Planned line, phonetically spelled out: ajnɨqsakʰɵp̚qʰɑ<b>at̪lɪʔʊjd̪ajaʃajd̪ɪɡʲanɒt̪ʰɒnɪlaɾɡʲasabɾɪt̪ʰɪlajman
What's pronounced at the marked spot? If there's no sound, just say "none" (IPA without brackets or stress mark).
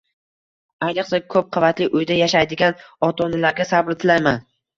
v